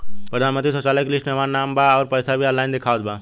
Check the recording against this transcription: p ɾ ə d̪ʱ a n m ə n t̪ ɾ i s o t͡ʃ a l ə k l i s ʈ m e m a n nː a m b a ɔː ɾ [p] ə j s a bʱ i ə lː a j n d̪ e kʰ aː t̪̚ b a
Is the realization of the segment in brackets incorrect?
no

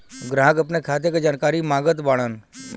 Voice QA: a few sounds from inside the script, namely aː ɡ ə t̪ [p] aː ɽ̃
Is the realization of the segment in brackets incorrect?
yes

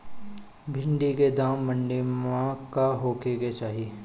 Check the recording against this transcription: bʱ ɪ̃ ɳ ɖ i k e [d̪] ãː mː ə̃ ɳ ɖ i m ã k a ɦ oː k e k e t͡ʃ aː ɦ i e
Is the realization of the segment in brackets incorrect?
no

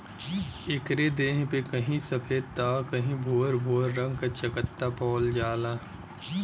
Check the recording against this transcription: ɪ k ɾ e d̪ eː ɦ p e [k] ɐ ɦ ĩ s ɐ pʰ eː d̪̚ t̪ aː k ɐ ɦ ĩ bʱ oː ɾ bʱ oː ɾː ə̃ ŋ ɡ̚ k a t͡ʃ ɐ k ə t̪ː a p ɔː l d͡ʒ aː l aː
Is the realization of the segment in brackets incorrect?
no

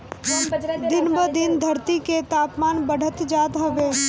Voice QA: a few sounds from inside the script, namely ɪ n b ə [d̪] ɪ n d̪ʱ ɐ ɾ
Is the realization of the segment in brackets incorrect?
no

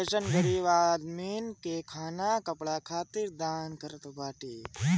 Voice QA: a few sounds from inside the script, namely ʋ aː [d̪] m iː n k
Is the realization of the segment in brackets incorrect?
no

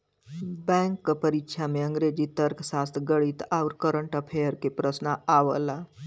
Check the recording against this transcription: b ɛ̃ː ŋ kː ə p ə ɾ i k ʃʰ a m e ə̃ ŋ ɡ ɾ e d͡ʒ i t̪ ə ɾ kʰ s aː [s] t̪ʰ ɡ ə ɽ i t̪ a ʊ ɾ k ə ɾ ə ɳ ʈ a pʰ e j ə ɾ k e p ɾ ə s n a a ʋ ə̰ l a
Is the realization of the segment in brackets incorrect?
no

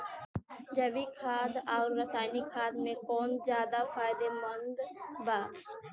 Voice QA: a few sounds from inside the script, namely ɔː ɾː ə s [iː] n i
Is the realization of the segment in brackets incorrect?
yes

